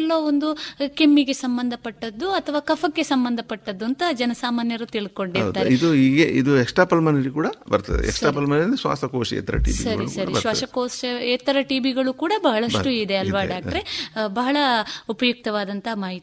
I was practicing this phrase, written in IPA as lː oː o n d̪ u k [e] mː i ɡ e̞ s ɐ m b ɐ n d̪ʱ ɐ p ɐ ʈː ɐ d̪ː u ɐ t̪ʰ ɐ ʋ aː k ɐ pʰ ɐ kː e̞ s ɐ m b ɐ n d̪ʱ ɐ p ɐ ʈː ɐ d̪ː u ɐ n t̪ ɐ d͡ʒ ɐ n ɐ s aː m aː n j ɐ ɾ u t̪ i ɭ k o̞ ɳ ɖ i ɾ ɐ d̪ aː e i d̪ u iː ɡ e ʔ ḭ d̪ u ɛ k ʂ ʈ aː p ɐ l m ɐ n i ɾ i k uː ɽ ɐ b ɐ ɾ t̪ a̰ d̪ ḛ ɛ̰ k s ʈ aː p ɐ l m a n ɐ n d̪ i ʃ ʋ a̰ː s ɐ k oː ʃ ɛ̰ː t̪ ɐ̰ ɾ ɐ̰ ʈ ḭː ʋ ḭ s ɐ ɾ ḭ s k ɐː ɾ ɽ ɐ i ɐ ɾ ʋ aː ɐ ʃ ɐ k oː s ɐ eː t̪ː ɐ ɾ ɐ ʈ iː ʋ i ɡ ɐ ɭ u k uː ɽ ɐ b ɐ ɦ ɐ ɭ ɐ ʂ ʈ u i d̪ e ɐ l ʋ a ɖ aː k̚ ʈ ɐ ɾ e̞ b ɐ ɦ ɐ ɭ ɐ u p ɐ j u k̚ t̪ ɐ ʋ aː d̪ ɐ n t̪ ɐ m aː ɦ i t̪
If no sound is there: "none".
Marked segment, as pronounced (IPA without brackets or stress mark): e